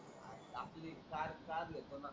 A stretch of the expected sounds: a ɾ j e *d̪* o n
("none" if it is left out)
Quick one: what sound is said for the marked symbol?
t̪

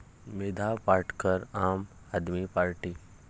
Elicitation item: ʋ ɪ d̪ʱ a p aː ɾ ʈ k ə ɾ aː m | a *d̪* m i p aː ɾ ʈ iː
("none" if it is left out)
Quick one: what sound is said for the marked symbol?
d̪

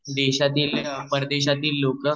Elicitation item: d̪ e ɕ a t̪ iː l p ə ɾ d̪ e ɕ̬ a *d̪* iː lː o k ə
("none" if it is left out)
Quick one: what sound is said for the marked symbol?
t̪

